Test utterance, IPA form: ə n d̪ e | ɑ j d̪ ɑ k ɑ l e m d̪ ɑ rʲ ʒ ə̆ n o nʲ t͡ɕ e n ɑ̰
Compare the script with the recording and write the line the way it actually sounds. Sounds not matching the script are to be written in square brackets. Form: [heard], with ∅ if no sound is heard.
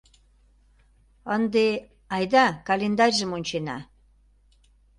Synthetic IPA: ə n d̪ e | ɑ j d̪ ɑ k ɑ l e [n] d̪ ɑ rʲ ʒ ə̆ [m] o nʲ t͡ɕ e n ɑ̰